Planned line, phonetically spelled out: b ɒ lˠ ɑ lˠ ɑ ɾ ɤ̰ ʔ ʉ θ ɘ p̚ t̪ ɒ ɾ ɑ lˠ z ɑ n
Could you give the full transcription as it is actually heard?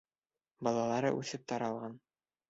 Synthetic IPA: b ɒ lˠ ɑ lˠ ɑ ɾ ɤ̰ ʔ ʉ θ ɘ p̚ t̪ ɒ ɾ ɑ lˠ ʁ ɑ n